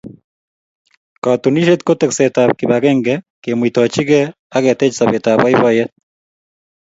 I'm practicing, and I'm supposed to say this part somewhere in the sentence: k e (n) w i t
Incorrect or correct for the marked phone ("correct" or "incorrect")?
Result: incorrect